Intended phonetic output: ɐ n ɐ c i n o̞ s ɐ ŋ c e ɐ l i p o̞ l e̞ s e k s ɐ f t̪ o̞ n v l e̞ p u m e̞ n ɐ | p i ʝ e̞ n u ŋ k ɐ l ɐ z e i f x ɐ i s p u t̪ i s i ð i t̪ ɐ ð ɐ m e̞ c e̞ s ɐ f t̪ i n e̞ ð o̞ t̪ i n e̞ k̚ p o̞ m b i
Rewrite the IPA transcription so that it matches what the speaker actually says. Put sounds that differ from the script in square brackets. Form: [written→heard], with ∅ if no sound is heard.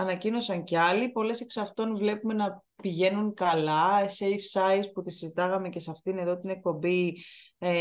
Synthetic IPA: ɐ n ɐ c i n o̞ s ɐ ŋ c e ɐ l i p o̞ l e̞ s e k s ɐ f t̪ o̞ n v l e̞ p u m e̞ n ɐ | p i ʝ e̞ n u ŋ k ɐ l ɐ [z→s] e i f [x→s] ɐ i s p u t̪ i s i [ð→z] i t̪ ɐ [ð→ɣ] ɐ m e̞ c e̞ s ɐ f t̪ i n e̞ ð o̞ t̪ i n e̞ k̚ p o̞ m b i